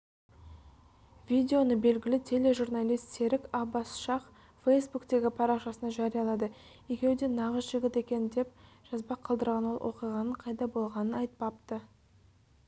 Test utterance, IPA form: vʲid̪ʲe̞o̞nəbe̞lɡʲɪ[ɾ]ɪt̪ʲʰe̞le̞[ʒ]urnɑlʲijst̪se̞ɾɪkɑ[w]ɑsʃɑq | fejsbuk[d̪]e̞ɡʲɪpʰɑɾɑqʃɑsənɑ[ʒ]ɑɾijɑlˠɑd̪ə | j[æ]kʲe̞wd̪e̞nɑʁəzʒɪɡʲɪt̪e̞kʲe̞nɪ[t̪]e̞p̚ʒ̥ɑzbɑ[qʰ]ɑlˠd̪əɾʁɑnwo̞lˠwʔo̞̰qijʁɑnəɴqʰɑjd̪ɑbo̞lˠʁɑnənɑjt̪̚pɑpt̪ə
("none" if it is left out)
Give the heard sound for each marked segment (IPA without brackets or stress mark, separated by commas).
l, ʒ, b, t̪, ʒ, e, d̪, qʰ